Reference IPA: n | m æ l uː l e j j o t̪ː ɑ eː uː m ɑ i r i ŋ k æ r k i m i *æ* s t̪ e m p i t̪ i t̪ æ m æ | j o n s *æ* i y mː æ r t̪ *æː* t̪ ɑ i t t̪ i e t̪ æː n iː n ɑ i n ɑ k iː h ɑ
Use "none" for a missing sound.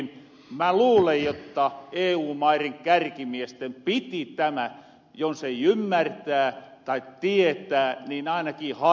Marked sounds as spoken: e, e, æː

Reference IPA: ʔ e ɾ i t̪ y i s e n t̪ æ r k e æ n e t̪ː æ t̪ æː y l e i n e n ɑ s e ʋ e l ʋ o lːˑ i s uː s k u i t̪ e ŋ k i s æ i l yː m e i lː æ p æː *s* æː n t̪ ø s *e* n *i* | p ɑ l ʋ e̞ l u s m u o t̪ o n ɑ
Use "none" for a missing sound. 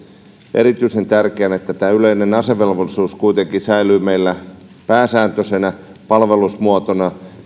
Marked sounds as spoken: s, e, æ

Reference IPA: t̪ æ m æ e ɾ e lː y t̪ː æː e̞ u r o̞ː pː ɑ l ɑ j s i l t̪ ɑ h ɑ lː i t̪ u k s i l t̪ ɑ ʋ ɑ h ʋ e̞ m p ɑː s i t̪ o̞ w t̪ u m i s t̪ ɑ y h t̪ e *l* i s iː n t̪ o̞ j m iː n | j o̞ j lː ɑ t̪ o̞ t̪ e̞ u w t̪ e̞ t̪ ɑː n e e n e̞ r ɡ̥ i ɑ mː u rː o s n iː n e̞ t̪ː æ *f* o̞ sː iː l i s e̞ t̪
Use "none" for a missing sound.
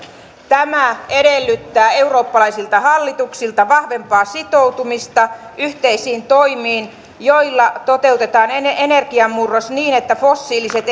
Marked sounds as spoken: none, f

